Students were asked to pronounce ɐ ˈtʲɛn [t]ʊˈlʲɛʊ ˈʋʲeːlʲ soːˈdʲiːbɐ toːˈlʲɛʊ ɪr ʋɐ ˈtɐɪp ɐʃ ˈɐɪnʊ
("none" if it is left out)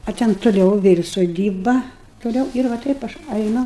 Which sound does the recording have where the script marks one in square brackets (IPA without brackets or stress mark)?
t